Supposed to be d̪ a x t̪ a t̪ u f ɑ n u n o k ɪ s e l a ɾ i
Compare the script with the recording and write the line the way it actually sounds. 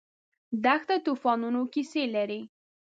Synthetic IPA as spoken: d̪ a x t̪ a t̪ u f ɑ n u n o k i s e l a ɾ i